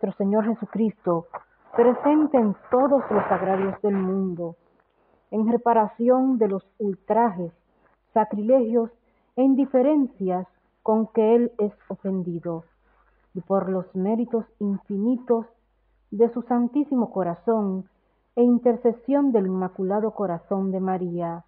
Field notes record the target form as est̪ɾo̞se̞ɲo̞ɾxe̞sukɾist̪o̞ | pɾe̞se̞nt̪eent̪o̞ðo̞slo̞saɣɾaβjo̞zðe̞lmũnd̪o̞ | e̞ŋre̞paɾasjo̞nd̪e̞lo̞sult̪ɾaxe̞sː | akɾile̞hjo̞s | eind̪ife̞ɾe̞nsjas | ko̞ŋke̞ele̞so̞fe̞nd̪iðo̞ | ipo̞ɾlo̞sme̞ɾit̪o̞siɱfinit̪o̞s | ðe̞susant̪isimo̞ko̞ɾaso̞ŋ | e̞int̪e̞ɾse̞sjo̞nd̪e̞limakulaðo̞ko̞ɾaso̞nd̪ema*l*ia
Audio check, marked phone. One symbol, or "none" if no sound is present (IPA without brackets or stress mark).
ɾ